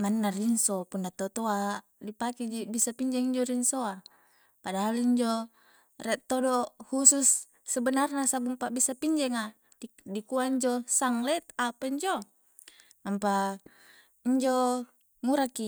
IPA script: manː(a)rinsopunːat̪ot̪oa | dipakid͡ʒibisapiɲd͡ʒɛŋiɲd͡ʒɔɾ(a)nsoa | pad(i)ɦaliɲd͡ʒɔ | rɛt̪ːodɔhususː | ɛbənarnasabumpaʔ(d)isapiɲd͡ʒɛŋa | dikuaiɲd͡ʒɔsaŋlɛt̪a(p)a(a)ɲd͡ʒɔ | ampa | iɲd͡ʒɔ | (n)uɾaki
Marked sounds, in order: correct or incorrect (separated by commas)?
correct, incorrect, incorrect, incorrect, correct, incorrect, incorrect